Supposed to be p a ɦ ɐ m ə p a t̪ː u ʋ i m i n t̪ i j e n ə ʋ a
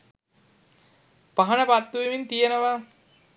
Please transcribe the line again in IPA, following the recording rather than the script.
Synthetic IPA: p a ɦ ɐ n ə p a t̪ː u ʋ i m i n t̪ i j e n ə ʋ a

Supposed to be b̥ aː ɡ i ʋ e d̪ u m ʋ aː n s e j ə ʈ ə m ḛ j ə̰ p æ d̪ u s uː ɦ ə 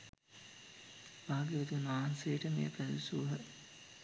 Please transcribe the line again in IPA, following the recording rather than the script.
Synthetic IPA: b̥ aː ɡ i ʋ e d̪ u n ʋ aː n s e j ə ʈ ə m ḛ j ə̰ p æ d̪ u s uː ɦ ə

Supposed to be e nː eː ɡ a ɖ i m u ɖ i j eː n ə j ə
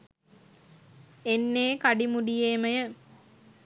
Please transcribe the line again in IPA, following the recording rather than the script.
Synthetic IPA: e nː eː k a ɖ i m u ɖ i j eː m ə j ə

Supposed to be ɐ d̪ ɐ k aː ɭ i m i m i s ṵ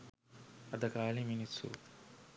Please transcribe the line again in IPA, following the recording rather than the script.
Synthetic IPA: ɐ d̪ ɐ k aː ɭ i m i n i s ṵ

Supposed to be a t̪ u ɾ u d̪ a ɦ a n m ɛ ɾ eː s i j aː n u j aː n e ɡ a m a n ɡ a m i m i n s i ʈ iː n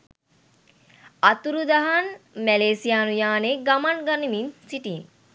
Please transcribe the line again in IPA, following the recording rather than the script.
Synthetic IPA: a t̪ u ɾ u d̪ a ɦ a n m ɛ l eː s i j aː n u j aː n e ɡ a m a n ɡ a n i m i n s i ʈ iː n

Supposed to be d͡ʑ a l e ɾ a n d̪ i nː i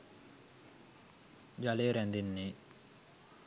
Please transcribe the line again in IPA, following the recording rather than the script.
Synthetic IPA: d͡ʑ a l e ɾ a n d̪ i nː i

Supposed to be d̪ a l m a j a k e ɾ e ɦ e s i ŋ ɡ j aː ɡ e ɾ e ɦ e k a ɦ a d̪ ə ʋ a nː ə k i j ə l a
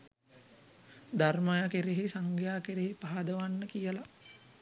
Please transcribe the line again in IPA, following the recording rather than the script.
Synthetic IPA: d̪ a r m a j a k e ɾ e ɦ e s a ŋ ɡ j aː k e ɾ e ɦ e p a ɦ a d̪ ə ʋ a nː ə k i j ə l a

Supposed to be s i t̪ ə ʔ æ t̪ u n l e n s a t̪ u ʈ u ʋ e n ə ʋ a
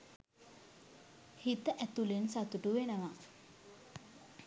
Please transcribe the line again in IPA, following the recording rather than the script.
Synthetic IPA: h i t̪ ə ʔ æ t̪ u l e n s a t̪ u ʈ u ʋ e n ə ʋ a

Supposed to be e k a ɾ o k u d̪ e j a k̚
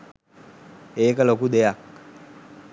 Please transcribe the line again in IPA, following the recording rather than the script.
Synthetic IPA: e k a l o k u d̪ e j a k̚

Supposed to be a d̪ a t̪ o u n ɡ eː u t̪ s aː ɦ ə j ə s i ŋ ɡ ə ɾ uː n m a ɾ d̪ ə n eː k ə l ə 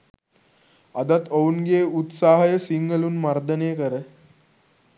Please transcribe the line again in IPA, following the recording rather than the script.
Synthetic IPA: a d̪ a t̪ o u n ɡ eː u t̪ s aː ɦ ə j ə s i ŋ ɡ ə l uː n m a ɾ d̪ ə n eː k ə ɾ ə

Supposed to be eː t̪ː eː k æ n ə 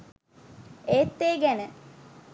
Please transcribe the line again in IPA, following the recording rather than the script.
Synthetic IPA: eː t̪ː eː ɡ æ n ə

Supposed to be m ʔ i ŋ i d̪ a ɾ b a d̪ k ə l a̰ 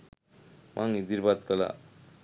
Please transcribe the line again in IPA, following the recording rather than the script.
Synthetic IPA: m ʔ a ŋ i d̪ i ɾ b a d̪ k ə l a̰

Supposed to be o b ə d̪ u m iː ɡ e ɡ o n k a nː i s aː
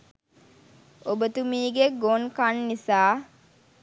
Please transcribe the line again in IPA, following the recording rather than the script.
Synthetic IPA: o b ə t̪ u m iː ɡ e ɡ o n k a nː i s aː

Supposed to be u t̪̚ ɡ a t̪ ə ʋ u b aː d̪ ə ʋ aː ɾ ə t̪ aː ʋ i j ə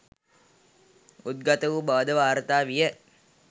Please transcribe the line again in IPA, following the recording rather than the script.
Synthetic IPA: u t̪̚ ɡ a t̪ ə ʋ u b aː d̪ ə ʋ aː ɾ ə t̪ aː ʋ i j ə

